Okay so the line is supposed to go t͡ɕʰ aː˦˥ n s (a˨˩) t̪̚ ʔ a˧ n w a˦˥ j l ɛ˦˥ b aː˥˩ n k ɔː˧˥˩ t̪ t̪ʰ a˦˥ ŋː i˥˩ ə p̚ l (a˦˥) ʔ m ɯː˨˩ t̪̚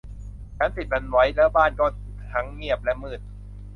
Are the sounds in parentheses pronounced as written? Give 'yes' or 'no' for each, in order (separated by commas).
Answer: no, no